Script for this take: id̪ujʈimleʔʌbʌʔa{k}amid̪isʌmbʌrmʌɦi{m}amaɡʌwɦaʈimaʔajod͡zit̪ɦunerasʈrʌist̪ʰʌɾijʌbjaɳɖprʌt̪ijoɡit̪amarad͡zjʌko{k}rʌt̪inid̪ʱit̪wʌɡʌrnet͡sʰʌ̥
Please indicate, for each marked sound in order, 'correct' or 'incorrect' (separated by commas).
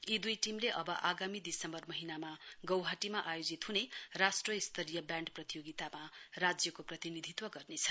incorrect, incorrect, incorrect